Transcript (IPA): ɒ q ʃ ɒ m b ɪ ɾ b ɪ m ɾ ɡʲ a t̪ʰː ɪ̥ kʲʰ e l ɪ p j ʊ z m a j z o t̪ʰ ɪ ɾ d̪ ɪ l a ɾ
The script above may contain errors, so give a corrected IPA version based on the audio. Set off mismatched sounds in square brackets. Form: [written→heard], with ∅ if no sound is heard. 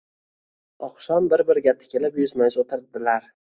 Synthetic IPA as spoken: ɒ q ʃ ɒ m b ɪ ɾ b ɪ [m→∅] ɾ ɡʲ a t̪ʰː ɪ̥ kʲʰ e l ɪ p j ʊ z m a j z o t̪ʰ ɪ ɾ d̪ ɪ l a ɾ